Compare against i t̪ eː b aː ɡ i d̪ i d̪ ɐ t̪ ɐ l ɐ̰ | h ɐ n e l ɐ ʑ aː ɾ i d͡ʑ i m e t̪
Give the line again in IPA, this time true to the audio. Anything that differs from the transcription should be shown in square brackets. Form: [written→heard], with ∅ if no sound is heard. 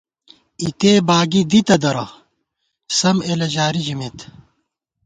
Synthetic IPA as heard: i t̪ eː b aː ɡ i d̪ i [d̪→t̪] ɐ [t̪→d̪] ɐ [l→ɾ] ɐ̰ | [h→s] ɐ [n→m] e l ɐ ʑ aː ɾ i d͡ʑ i m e t̪